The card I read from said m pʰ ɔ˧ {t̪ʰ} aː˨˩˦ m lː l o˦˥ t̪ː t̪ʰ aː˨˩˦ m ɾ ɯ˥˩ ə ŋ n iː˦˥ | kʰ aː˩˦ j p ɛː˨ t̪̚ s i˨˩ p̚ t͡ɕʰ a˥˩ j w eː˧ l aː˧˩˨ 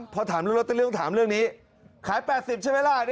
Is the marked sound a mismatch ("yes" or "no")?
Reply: no